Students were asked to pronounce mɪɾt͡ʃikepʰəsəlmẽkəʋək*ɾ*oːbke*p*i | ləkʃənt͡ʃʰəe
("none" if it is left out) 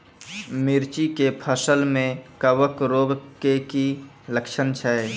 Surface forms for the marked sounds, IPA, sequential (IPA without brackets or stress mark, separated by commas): ɾ, k